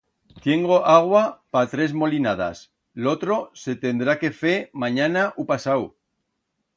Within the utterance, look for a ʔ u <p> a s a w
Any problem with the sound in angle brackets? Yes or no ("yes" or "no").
no